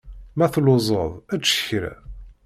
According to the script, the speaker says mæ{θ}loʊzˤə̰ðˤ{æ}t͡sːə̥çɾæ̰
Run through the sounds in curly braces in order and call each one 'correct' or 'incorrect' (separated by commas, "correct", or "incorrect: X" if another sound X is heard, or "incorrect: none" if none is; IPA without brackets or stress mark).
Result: correct, correct